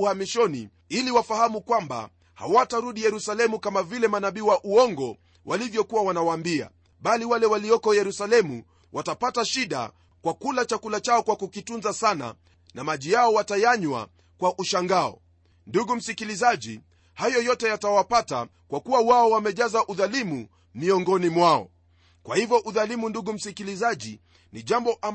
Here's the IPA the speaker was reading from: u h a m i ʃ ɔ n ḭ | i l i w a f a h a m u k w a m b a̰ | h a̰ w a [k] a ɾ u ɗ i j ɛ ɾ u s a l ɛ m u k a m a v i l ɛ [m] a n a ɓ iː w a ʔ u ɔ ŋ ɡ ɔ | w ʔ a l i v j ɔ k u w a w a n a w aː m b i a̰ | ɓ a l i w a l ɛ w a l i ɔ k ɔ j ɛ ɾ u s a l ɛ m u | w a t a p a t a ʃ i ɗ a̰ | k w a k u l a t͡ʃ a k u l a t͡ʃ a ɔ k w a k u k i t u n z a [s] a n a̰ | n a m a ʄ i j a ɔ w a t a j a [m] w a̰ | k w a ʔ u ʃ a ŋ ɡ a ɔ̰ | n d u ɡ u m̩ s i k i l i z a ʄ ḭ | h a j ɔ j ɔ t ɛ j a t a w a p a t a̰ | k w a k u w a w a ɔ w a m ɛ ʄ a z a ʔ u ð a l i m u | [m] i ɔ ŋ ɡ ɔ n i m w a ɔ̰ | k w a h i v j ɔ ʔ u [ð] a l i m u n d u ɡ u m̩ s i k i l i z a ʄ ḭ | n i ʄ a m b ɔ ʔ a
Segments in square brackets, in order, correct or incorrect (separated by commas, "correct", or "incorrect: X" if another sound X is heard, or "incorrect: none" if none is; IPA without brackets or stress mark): incorrect: t, correct, correct, incorrect: ɲ, correct, correct